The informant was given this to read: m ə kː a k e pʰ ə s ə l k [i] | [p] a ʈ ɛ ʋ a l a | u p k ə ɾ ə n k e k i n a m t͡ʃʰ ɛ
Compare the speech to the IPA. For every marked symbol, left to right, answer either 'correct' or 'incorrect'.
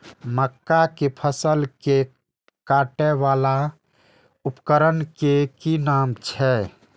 incorrect: e, incorrect: k

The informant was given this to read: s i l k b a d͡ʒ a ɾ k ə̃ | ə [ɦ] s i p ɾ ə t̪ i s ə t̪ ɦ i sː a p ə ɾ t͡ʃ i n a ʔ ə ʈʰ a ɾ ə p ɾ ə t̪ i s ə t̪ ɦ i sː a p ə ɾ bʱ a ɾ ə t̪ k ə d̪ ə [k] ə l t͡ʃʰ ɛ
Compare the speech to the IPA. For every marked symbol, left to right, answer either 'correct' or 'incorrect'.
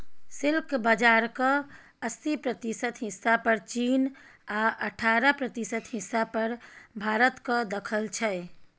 incorrect: none, incorrect: kʰ

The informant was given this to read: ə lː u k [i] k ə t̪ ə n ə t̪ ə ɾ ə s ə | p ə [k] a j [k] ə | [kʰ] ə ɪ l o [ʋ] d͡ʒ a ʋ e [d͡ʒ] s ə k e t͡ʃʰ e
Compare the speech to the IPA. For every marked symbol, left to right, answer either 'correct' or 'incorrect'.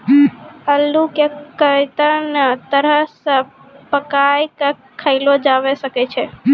incorrect: e, correct, correct, correct, incorrect: none, incorrect: none

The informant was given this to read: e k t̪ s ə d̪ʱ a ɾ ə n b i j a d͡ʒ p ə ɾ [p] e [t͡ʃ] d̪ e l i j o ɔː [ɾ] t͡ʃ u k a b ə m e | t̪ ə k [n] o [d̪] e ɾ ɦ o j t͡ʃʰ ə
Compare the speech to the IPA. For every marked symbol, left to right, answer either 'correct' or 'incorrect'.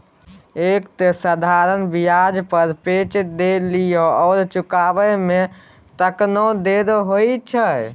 correct, correct, correct, correct, correct

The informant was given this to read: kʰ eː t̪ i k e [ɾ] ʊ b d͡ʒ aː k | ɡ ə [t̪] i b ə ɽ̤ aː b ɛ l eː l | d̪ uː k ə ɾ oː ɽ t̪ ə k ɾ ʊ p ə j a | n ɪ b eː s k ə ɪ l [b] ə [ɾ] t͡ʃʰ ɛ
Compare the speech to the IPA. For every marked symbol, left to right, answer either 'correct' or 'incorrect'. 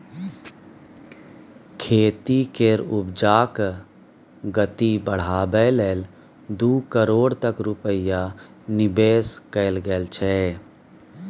correct, correct, incorrect: ɡ, incorrect: l

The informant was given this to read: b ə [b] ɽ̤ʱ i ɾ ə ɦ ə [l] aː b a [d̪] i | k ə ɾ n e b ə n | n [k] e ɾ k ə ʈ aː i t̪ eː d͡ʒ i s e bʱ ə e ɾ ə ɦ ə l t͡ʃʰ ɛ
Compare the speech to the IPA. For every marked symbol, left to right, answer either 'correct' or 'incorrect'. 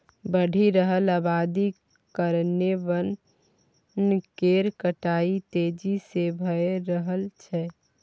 incorrect: none, correct, correct, correct

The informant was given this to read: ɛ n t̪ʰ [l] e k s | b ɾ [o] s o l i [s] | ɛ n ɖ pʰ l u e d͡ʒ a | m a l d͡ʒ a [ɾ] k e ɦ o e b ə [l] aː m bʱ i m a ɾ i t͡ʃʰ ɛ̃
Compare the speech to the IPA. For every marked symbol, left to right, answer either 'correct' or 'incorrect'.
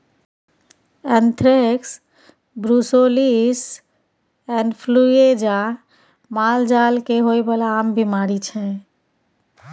incorrect: ɾ, incorrect: u, correct, incorrect: l, correct

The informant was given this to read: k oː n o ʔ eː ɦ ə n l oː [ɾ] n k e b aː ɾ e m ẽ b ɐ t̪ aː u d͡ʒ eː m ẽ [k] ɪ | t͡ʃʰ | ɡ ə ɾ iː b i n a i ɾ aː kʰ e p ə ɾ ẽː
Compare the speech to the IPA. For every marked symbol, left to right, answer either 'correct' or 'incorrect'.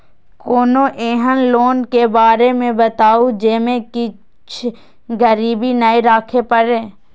incorrect: none, correct

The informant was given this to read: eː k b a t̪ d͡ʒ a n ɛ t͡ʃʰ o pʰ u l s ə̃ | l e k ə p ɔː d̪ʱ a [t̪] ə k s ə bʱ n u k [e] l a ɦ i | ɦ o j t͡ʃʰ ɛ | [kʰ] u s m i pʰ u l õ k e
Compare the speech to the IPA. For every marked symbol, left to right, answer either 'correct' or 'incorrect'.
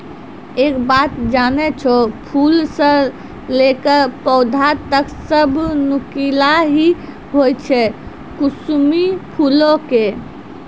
correct, incorrect: i, incorrect: k

